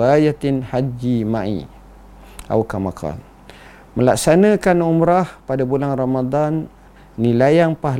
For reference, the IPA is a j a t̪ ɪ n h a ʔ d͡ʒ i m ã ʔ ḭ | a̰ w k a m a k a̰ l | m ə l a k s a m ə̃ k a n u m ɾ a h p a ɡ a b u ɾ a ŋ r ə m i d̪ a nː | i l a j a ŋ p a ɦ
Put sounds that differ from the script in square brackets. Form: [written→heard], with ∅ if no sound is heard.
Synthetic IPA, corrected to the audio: a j a t̪ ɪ n h a [ʔ→∅] d͡ʒ i m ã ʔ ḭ | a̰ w k a m a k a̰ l | m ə l a k s a [m→n] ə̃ k a n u m ɾ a h p a [ɡ→d] a b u [ɾ→l] a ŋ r [ə→a] m [i→a] d̪ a nː | i l a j a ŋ p a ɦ